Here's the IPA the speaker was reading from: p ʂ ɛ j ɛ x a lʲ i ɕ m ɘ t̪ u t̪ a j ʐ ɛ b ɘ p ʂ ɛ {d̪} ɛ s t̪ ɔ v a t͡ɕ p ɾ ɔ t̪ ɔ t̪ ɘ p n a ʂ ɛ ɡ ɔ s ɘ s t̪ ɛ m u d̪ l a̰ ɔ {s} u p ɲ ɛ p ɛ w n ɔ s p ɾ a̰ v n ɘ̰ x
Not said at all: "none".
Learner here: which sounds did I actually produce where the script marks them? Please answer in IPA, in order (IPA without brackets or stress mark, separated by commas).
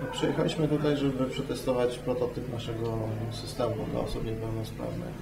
t̪, s